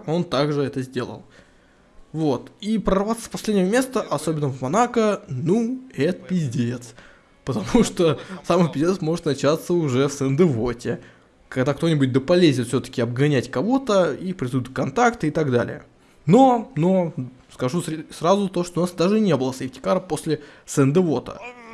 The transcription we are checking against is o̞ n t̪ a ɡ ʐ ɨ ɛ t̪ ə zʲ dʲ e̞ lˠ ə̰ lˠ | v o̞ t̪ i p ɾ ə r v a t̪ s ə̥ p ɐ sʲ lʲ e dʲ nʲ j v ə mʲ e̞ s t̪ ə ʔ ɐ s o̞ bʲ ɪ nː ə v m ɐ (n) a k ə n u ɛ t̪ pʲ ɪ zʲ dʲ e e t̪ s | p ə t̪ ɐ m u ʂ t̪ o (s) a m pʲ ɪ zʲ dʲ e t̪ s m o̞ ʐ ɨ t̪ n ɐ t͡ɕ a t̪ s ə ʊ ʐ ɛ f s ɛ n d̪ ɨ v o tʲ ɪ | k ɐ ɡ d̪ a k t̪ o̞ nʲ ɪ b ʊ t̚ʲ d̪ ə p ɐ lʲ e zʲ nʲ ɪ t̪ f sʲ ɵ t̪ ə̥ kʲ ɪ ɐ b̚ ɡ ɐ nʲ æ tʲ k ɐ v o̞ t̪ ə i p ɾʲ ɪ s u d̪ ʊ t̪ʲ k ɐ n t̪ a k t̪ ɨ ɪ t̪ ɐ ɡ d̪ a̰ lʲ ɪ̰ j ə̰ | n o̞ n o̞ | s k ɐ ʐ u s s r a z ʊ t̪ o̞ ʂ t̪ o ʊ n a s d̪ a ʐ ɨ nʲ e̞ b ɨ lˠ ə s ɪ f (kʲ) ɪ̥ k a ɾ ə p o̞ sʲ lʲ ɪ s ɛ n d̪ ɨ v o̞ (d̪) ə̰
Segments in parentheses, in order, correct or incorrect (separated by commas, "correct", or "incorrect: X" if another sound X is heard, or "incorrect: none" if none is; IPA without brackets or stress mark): correct, correct, incorrect: tʲ, incorrect: t̪